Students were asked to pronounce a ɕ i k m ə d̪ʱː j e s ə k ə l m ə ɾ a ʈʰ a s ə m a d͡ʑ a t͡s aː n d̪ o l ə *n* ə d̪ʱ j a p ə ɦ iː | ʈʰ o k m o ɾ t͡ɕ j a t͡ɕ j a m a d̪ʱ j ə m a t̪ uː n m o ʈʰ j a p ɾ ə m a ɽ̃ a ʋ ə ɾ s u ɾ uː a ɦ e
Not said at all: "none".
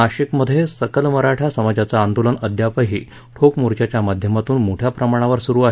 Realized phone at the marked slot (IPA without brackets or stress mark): n